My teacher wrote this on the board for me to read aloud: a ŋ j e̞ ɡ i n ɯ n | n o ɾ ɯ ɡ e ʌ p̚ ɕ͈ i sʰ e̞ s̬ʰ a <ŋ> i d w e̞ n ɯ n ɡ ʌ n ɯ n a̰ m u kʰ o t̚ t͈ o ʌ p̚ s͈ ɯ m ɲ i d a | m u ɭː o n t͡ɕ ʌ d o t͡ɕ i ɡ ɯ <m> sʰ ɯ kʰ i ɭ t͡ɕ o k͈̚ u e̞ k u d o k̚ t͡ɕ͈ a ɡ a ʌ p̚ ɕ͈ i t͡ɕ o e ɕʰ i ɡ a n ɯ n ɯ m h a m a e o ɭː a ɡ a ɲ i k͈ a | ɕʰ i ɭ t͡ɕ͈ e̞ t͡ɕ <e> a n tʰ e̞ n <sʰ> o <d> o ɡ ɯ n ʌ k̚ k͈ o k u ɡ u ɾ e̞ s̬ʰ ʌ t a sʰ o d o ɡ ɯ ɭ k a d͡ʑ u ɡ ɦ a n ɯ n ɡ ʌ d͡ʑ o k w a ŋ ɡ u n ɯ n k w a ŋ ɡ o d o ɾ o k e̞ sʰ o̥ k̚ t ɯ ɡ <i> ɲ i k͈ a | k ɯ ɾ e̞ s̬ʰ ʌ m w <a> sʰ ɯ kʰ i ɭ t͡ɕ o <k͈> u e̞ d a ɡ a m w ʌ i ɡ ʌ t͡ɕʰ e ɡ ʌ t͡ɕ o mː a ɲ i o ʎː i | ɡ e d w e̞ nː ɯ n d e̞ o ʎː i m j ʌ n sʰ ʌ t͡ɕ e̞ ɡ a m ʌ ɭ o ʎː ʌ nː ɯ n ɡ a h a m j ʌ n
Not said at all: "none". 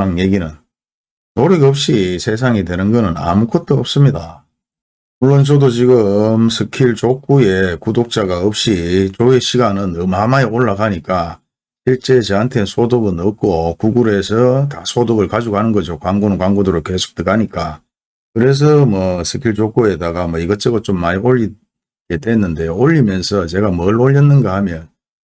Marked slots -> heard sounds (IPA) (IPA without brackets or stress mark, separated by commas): ŋ, m, e, sʰ, d, a, ʌ, k͈